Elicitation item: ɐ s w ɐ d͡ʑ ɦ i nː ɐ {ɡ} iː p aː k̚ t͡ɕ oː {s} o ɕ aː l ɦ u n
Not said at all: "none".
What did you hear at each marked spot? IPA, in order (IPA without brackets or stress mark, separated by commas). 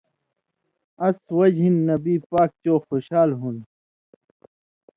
b, x